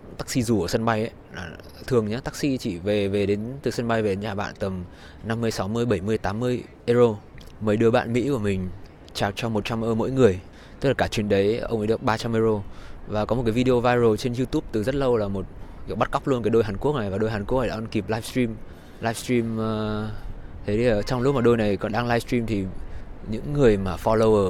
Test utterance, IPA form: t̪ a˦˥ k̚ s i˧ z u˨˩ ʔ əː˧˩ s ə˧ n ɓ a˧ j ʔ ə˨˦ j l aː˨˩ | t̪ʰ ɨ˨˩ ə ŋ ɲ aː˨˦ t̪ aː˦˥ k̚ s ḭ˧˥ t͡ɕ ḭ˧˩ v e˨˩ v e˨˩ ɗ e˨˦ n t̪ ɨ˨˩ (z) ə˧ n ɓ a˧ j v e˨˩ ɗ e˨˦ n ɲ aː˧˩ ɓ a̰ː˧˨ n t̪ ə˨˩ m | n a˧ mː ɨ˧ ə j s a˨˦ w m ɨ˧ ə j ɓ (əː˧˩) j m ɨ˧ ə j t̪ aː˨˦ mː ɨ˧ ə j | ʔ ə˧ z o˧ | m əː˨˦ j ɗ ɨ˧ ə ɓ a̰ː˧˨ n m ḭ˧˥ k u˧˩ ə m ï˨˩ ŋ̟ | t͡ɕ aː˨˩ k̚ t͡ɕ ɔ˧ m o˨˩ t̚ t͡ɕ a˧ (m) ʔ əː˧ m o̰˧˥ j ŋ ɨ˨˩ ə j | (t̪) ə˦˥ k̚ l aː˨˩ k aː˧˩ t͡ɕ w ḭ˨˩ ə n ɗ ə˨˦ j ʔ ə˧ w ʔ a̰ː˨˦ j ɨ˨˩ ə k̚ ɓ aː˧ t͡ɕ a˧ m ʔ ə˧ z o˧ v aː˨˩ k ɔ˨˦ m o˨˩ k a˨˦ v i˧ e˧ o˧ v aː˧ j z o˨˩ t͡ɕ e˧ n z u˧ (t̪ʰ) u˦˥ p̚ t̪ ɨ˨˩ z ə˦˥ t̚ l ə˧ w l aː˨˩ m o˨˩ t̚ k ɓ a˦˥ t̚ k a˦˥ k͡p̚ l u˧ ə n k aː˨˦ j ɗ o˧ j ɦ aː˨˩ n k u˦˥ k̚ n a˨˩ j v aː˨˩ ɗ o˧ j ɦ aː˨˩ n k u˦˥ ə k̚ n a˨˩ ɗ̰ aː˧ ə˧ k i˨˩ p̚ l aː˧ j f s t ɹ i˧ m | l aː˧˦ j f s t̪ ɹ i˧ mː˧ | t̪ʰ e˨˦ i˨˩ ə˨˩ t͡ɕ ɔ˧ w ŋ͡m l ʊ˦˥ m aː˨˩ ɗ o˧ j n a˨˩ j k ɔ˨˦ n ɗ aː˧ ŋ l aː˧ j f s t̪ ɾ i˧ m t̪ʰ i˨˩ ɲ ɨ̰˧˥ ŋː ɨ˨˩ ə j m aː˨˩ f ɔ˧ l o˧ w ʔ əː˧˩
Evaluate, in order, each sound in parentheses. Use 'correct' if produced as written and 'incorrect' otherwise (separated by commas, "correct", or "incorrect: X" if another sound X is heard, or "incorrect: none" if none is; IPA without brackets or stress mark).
incorrect: s, incorrect: ə˧˩, correct, correct, incorrect: t̪